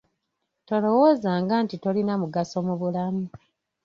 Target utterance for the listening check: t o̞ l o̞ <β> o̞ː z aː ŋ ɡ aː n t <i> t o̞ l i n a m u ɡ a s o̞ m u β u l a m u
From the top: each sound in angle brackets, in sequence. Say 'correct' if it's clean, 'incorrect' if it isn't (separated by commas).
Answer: incorrect, correct